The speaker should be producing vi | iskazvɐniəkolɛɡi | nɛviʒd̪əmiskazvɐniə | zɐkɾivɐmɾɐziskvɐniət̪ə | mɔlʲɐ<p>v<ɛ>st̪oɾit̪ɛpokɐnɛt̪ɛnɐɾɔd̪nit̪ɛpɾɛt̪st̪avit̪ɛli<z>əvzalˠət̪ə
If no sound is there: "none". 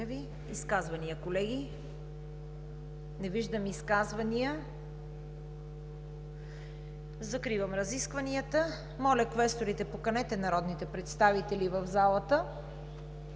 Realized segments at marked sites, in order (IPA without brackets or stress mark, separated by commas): k, ɛ, v